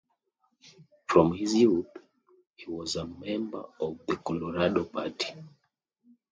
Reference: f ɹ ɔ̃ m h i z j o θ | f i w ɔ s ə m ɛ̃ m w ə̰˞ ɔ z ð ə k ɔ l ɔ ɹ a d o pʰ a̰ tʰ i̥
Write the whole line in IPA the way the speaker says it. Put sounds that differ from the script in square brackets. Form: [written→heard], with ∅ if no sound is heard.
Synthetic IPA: f ɹ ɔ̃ m h i z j [o→u] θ | [f→h] i w ɔ [s→z] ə m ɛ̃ m [w→b] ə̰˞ ɔ [z→v] ð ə k ɔ l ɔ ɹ a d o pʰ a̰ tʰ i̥

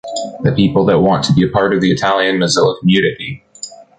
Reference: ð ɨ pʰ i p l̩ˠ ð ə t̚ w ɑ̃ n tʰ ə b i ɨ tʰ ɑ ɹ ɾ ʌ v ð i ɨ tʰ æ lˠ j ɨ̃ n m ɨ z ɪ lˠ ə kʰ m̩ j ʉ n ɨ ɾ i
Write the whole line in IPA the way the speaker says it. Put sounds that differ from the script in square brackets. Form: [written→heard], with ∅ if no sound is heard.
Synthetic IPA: ð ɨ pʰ i p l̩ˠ ð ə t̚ w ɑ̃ n tʰ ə b i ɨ [tʰ→pʰ] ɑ ɹ ɾ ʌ v ð i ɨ tʰ æ lˠ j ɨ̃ n m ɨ z ɪ lˠ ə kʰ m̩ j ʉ n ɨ ɾ i

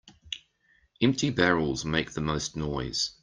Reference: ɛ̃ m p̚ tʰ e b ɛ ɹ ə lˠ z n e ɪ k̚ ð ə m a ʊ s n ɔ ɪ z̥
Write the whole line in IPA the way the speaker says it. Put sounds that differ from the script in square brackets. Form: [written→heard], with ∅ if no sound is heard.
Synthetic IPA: ɛ̃ m p̚ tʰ [e→i] b ɛ ɹ ə lˠ z [n→m] e ɪ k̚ ð ə m [a→ə] ʊ s n ɔ ɪ z̥

